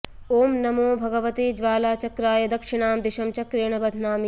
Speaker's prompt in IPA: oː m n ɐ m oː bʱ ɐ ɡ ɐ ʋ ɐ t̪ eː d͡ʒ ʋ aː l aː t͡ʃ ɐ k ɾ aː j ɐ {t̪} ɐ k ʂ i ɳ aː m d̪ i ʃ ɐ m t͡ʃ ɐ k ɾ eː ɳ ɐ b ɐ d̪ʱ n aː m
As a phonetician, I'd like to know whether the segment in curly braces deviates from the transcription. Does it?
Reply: yes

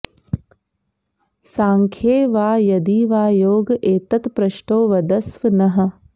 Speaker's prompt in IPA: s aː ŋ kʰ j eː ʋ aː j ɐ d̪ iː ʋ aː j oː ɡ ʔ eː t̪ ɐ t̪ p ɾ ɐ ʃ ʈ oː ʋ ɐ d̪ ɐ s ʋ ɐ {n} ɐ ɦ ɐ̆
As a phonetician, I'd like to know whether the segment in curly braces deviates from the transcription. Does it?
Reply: no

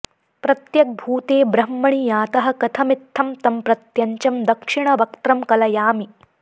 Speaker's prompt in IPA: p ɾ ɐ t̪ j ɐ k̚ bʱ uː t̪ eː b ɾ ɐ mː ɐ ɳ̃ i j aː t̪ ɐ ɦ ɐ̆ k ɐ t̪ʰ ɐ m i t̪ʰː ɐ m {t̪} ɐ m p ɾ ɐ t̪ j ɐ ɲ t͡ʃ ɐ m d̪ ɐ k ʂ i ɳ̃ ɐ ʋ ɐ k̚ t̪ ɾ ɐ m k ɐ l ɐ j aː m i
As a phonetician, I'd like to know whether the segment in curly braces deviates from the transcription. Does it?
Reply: no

